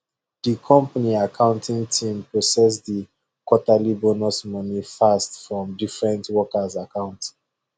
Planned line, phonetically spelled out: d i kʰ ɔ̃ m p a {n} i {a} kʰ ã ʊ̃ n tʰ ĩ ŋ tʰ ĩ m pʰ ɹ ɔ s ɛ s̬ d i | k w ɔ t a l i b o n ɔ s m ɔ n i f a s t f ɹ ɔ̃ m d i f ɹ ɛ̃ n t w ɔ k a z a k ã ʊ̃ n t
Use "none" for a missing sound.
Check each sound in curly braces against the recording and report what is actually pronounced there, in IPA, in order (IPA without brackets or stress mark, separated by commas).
n, a